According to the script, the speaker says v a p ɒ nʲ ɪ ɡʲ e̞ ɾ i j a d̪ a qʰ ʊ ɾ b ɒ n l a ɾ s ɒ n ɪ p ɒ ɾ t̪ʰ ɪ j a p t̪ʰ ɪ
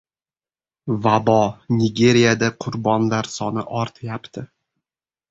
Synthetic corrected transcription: v a b ɒ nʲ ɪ ɡʲ e̞ ɾ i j a d̪ a qʰ ʊ ɾ b ɒ n l a ɾ s ɒ n ɪ ʔ ɒ ɾ t̪ʰ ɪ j a p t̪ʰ ɪ